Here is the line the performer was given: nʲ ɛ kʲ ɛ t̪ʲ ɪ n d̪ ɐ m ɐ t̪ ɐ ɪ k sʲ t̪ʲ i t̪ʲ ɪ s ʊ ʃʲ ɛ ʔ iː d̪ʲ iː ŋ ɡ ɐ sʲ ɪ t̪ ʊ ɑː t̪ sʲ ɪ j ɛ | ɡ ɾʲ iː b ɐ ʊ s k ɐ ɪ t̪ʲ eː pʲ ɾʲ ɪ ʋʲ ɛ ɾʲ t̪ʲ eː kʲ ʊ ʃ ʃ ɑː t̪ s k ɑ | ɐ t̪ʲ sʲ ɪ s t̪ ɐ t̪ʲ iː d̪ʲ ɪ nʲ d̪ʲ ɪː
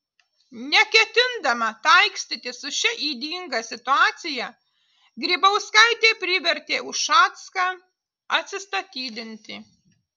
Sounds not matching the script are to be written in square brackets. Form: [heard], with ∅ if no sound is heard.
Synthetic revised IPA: nʲ ɛ kʲ ɛ t̪ʲ ɪ n d̪ ɐ m ɐ t̪ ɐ ɪ k sʲ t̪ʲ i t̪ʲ ɪ s ʊ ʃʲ ɛ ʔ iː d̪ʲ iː ŋ ɡ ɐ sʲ ɪ t̪ ʊ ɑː t̪ sʲ ɪ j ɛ | ɡ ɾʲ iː b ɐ ʊ s k ɐ ɪ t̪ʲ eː pʲ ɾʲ ɪ ʋʲ ɛ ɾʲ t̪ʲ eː [∅] ʊ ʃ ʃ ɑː t̪ s k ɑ | ɐ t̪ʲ sʲ ɪ s t̪ ɐ t̪ʲ iː d̪ʲ ɪ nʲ [t̪ʲ] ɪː